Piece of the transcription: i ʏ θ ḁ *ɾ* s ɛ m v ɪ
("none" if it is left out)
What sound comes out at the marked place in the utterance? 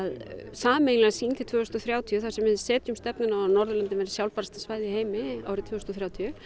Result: none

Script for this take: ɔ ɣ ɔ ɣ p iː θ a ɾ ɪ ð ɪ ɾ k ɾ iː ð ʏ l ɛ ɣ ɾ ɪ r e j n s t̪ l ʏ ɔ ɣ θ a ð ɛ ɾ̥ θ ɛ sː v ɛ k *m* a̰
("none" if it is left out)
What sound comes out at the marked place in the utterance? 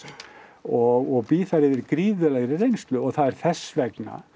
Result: n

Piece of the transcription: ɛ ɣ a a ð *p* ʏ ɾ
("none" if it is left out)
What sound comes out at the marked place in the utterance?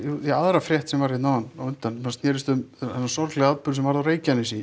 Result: p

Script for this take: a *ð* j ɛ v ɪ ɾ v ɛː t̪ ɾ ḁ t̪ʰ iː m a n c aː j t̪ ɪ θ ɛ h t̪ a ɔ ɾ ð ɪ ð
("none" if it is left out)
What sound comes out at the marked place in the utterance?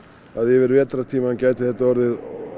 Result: ð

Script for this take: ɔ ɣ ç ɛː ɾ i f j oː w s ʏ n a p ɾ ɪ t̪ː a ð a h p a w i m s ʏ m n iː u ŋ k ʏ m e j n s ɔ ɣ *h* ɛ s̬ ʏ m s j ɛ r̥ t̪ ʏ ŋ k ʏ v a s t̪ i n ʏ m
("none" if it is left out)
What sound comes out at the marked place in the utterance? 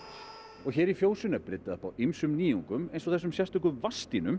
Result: θ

